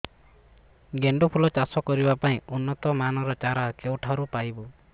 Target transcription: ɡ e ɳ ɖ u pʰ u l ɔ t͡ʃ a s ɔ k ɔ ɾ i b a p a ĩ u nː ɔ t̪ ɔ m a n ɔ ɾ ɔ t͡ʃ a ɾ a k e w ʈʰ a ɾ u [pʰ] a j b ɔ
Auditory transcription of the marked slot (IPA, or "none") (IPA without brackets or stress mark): p